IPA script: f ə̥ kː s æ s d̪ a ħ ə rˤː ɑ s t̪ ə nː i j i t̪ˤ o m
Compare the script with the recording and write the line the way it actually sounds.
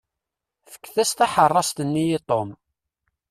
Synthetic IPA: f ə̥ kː θ æ s t̪ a ħ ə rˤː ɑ s t̪ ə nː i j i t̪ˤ o m